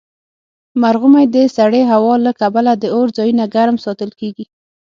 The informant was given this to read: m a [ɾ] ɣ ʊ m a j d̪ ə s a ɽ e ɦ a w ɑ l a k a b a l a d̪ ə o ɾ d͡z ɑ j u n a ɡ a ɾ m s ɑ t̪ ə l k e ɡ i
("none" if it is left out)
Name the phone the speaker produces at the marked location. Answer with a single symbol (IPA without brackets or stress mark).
ɾ